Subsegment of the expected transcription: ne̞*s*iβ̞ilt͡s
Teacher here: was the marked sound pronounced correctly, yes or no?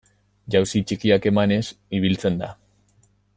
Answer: yes